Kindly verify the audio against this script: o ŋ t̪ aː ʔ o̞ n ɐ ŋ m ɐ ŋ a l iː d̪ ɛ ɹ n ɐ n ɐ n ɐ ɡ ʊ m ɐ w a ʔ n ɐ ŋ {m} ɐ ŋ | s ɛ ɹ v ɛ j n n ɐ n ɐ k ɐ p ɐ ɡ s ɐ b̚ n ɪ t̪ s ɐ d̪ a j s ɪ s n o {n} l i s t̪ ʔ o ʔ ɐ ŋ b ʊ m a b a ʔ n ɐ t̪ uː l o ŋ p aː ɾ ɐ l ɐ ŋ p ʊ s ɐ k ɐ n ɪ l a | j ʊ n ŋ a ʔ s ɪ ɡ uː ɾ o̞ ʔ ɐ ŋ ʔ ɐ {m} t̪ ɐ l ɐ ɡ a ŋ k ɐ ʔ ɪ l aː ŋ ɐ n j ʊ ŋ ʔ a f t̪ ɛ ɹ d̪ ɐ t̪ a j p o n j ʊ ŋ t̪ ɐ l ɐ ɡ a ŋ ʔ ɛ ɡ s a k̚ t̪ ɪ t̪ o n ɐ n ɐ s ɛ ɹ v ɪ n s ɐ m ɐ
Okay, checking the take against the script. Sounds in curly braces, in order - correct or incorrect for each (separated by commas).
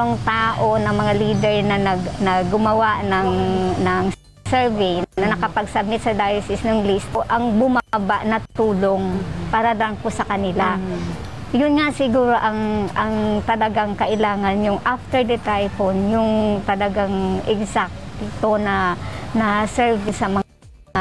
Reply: incorrect, incorrect, incorrect